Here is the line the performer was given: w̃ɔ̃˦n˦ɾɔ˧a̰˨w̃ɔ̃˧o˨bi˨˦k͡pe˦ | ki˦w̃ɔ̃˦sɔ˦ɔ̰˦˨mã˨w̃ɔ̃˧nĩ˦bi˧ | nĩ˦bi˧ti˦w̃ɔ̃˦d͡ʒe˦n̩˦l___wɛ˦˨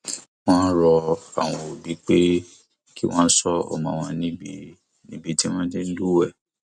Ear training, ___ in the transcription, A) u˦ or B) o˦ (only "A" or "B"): A